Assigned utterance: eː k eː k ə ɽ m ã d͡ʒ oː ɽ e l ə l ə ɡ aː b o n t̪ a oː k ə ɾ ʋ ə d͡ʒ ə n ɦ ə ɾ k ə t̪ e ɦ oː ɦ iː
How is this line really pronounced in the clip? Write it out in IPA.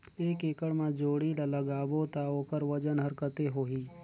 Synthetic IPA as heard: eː k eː k ə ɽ m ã d͡ʒ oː ɽ i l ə l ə ɡ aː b o t̪ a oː k ə ɾ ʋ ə d͡ʒ ə n ɦ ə ɾ k ə t̪ e ɦ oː ɦ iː